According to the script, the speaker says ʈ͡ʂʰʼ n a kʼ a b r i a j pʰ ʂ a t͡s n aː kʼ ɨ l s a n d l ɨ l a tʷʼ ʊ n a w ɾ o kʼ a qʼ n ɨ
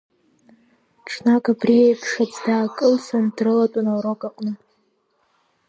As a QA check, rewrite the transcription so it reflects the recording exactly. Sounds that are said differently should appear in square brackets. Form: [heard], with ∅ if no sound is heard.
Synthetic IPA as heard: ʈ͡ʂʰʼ n a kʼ a b r i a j pʰ ʂ a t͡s [d] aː kʼ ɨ l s a n d [r] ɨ l a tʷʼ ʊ n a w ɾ o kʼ a qʼ n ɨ